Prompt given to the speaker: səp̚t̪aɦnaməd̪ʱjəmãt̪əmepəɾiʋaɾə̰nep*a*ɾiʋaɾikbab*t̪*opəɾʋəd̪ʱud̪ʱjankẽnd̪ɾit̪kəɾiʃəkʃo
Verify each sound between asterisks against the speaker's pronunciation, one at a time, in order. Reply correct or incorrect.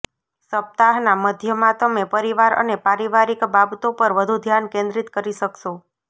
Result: correct, correct

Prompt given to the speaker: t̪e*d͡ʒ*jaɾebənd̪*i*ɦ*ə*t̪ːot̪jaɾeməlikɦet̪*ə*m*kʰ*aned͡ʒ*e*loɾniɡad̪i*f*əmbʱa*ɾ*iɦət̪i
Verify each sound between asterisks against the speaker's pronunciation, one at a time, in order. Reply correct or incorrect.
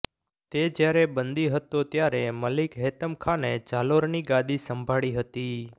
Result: correct, correct, correct, correct, correct, incorrect, incorrect, incorrect

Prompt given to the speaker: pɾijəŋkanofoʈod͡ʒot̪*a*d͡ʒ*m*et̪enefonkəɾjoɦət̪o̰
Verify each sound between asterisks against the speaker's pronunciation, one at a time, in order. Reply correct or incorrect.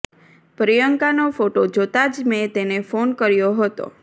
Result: correct, correct

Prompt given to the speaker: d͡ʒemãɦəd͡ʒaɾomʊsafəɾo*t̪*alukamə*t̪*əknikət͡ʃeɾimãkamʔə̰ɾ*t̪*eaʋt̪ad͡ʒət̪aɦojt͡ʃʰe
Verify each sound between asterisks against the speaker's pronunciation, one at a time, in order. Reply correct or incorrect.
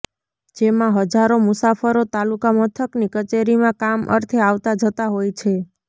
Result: correct, incorrect, incorrect

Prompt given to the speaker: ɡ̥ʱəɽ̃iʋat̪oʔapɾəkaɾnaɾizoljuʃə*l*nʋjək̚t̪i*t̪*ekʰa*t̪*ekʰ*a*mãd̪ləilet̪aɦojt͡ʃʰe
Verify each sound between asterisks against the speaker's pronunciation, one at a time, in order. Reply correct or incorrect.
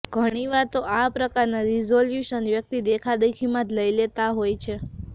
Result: incorrect, incorrect, incorrect, incorrect

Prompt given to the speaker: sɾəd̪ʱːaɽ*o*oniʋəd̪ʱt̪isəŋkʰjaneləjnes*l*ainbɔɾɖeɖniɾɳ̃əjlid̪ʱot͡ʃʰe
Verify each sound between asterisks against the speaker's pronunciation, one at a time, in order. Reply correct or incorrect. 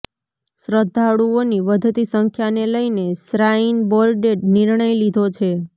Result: incorrect, incorrect

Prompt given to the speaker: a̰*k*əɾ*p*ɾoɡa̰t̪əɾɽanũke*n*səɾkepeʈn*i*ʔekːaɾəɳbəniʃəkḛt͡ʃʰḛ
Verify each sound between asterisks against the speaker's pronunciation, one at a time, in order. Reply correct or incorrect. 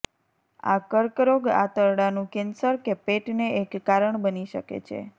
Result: correct, incorrect, correct, incorrect

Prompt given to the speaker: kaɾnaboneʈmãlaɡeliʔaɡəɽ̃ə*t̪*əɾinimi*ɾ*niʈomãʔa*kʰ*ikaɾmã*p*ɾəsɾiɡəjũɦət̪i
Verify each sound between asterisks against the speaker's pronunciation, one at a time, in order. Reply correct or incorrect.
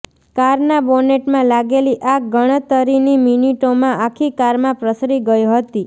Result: correct, incorrect, correct, correct

